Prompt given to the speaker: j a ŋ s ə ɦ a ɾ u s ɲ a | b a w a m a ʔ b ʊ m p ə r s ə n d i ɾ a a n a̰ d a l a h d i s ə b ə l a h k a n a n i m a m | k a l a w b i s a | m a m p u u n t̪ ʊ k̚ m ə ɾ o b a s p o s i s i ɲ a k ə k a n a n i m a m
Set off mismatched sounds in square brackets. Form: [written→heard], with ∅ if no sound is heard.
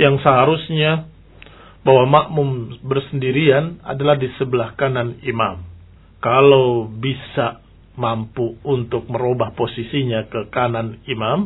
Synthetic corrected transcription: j a ŋ s ə ɦ a ɾ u s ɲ a | b a w a m a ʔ [b→m] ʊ m [p→b] ə r s ə n d i ɾ [a→i] a n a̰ d a l a h d i s ə b ə l a h k a n a n i m a m | k a l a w b i s a | m a m p u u n t̪ ʊ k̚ m ə ɾ o b a [s→h] p o s i s i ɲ a k ə k a n a n i m a m